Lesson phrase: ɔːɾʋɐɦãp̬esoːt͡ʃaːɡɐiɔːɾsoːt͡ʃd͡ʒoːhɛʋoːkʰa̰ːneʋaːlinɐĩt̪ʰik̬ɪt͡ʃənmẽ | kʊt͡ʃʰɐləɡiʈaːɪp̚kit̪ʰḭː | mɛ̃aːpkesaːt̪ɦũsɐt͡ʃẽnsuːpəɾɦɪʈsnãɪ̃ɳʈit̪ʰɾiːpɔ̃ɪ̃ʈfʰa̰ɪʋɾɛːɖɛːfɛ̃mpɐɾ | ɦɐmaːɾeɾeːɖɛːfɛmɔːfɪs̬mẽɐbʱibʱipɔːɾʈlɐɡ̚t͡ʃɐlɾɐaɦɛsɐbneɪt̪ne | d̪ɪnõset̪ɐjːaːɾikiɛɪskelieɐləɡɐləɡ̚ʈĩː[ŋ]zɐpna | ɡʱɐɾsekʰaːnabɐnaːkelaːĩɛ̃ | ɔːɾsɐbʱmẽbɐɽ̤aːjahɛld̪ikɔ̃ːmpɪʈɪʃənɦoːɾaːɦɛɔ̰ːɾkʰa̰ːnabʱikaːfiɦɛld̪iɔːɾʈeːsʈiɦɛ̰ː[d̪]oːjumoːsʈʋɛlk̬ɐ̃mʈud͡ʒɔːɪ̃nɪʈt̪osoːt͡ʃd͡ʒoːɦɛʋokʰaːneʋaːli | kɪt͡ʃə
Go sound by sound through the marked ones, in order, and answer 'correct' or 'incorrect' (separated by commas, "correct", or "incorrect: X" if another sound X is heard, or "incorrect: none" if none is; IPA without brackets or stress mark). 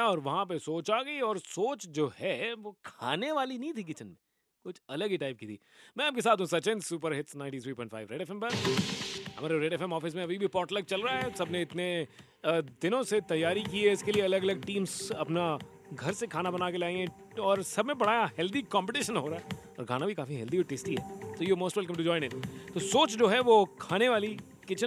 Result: incorrect: m, incorrect: t̪